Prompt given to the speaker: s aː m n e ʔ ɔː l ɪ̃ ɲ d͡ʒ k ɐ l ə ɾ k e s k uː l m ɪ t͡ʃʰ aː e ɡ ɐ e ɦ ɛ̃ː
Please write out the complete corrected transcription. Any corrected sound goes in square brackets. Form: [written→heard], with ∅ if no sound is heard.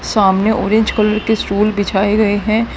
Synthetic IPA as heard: s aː m n e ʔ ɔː [l→ɾ] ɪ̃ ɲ d͡ʒ k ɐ l ə ɾ k e s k uː l [m→b] ɪ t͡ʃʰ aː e ɡ ɐ e ɦ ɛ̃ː